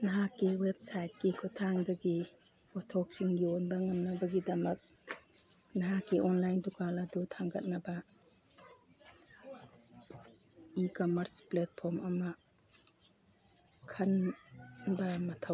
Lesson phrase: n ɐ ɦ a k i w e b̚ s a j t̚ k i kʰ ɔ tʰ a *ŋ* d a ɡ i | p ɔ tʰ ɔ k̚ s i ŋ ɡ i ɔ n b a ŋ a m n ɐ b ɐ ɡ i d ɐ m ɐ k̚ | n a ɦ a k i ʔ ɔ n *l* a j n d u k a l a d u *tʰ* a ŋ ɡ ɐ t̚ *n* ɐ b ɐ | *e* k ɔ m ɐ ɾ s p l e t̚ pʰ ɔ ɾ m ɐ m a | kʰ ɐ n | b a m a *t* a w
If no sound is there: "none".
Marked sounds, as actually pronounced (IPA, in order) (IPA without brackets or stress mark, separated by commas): ŋ, l, tʰ, n, i, tʰ